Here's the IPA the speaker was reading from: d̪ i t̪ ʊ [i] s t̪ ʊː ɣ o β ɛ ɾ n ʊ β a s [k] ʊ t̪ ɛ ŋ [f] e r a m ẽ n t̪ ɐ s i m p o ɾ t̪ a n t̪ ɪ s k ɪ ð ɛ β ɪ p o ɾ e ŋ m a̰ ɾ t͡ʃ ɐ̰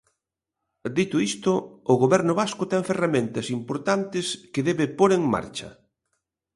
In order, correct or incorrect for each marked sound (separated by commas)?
correct, correct, correct